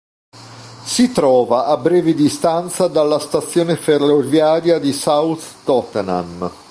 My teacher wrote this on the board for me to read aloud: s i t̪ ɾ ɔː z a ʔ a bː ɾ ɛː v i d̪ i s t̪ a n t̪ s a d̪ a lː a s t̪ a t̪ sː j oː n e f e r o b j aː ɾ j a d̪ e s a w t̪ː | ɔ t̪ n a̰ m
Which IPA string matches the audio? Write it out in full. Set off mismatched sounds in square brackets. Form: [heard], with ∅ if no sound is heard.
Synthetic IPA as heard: s i t̪ ɾ ɔː [v] a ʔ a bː ɾ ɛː v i d̪ i s t̪ a n t̪ s a d̪ a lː a s t̪ a t̪ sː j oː n e f e r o [v] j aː ɾ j a d̪ [i] s a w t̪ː | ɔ t̪ n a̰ m